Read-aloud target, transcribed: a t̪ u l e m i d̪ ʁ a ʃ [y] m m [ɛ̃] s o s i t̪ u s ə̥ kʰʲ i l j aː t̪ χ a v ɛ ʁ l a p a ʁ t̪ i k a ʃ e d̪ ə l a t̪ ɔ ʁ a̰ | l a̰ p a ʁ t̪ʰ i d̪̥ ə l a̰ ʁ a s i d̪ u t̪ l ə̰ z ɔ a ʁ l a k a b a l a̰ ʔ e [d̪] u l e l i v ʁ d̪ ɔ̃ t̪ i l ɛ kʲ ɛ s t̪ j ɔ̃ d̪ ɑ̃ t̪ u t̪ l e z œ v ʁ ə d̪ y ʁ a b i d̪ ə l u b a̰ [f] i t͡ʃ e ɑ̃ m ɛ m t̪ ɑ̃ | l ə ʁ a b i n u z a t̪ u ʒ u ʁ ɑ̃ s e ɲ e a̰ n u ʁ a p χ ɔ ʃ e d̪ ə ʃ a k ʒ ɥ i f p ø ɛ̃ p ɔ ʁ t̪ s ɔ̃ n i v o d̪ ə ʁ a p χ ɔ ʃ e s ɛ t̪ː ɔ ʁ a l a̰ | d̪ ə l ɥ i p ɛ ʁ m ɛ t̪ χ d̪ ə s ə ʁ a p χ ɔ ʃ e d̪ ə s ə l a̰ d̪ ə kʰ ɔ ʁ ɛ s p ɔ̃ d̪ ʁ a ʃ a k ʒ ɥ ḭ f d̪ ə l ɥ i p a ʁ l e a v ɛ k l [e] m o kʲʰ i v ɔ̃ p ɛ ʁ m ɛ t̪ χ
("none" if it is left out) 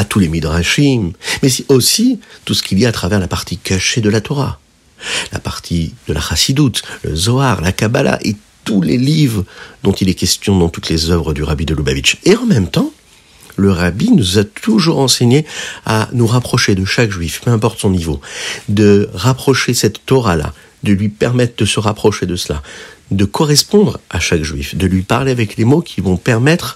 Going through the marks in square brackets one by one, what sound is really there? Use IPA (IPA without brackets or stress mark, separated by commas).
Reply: i, ɛ, t̪, v, e